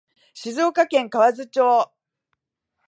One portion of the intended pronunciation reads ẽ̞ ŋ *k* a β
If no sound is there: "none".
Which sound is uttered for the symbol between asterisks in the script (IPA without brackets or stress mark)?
k